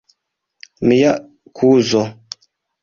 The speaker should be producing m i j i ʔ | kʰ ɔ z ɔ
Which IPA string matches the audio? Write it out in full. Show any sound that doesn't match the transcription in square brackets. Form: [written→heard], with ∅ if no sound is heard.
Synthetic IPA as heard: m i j [i→a] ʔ | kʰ [ɔ→u] z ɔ